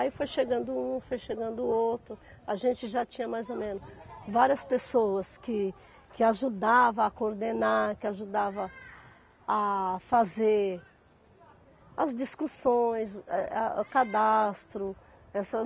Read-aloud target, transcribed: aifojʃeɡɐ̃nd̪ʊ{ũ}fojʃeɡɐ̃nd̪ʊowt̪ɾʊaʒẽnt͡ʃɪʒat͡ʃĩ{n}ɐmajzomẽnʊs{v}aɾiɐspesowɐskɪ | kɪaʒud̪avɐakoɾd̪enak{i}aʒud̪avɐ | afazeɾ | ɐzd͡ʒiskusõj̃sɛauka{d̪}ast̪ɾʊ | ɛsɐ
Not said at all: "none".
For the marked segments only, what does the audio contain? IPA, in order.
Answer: ũ, ɲ, v, ɪ, d̪

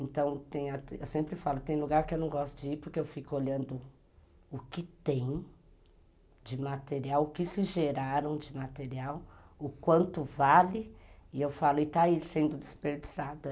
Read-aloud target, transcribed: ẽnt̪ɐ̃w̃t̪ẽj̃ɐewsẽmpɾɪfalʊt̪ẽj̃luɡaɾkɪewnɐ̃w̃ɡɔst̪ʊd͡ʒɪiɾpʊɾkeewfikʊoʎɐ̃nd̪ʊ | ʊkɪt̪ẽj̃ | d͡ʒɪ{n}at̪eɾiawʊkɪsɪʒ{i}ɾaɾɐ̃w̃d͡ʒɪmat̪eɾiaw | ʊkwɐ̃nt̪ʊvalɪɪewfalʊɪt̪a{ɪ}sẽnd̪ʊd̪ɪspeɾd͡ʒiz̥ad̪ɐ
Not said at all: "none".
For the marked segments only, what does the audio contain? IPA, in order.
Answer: m, e, i

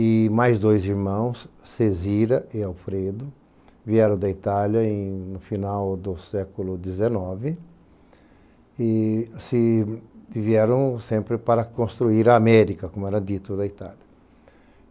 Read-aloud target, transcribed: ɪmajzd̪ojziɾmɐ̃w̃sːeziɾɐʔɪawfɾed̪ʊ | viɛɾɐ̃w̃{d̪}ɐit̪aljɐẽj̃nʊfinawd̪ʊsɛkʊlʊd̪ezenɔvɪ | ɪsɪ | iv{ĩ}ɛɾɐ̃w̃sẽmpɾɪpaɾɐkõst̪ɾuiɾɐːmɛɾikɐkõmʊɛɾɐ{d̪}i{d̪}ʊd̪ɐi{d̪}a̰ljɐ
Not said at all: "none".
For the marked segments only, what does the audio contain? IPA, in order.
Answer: d̪, i, d̪, t̪, t̪

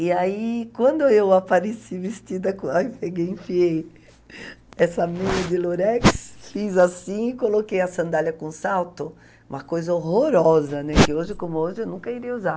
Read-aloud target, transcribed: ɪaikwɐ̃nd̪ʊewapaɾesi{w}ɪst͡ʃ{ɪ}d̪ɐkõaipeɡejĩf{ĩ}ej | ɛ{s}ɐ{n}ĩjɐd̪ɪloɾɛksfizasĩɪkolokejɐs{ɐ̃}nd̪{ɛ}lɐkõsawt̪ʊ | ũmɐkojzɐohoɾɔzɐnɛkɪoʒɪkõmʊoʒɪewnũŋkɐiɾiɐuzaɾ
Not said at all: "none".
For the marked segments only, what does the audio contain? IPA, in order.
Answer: v, i, i, s, m, ɐ̃, a

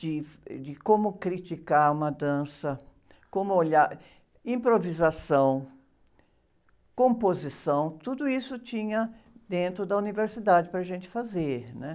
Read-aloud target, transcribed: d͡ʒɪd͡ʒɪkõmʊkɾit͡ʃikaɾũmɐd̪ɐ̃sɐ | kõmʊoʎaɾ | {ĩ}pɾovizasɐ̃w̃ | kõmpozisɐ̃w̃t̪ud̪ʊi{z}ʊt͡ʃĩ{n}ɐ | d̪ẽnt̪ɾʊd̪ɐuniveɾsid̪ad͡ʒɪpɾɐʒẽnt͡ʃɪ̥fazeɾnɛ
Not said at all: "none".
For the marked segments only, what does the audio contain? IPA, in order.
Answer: ĩ, s, ɲ

